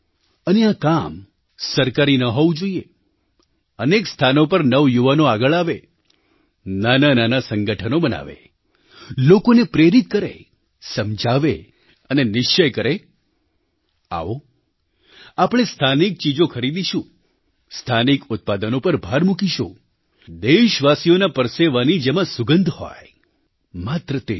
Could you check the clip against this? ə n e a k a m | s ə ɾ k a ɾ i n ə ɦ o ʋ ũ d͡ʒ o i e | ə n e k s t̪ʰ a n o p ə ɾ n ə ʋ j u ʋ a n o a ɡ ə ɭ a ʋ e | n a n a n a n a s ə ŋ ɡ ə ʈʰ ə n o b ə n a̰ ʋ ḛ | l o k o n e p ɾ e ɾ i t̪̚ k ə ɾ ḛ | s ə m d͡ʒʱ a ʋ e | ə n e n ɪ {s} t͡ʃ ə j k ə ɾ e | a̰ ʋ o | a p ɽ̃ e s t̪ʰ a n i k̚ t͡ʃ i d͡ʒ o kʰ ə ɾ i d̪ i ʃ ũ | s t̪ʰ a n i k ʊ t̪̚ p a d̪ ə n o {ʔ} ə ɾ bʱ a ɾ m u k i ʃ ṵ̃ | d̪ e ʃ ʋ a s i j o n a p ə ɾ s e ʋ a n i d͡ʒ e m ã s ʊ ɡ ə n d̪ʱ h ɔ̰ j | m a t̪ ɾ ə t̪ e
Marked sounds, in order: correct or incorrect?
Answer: incorrect, incorrect

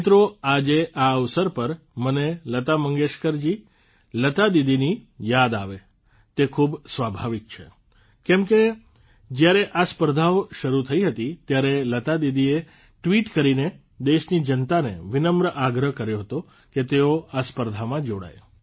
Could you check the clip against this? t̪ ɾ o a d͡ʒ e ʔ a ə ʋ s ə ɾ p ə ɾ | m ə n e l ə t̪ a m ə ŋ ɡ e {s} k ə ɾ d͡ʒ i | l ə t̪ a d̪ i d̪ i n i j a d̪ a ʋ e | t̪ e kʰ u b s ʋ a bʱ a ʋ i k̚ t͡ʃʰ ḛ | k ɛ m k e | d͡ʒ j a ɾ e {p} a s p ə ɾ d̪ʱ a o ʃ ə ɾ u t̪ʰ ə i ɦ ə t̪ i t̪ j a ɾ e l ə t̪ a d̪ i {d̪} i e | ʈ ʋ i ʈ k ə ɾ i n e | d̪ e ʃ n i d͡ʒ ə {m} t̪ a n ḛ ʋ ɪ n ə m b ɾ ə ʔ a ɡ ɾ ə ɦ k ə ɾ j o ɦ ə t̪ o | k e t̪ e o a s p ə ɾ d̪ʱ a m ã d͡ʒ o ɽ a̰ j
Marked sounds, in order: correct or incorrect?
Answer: incorrect, incorrect, correct, incorrect

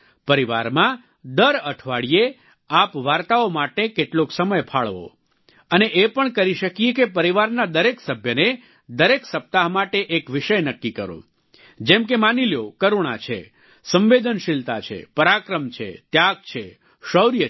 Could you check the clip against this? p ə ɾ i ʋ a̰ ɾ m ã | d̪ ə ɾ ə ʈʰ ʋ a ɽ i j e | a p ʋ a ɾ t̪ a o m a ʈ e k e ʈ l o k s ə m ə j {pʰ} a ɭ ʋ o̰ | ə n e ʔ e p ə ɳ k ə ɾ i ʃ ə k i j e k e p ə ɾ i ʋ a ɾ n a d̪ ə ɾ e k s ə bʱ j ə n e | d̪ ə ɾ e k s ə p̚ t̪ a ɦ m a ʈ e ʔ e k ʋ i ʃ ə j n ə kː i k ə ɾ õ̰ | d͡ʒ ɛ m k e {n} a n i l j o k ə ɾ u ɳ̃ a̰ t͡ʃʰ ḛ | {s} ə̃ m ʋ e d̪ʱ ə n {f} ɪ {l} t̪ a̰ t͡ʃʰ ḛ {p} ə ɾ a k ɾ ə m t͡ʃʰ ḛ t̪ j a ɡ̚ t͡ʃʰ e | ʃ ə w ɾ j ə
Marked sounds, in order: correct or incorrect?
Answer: correct, incorrect, correct, incorrect, correct, correct

